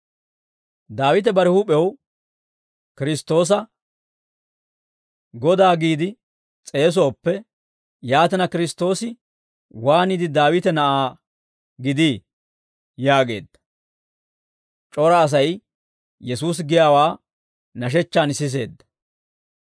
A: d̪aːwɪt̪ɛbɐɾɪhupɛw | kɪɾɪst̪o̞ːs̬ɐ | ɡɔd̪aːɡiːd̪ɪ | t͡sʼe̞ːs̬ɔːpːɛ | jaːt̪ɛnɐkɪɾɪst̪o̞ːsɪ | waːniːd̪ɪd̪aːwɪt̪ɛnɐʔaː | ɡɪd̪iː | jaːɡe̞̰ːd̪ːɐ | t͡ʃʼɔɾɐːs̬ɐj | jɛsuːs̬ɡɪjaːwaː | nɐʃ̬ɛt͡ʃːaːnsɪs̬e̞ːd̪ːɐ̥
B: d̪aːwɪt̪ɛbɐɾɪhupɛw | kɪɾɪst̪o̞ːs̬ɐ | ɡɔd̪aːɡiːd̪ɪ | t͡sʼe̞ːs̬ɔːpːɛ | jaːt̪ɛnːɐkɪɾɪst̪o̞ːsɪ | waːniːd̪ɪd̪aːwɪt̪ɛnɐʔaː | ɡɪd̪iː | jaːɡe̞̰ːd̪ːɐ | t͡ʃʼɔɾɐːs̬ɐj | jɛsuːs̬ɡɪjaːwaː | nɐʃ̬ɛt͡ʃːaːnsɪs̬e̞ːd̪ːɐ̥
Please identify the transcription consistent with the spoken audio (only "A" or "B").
A